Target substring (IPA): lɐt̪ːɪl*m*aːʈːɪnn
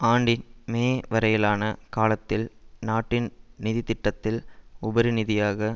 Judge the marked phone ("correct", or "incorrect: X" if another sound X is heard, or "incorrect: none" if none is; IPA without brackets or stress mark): incorrect: n